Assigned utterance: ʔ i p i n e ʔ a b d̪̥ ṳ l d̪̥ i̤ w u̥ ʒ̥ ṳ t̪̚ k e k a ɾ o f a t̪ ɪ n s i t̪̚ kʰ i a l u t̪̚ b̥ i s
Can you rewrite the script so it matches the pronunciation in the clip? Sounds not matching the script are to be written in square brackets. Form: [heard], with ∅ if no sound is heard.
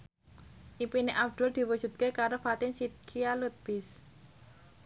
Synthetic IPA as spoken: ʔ i p i n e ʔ a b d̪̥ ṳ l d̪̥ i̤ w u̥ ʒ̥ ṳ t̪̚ k e k a ɾ o f a t̪ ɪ n s i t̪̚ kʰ i a l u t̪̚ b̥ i s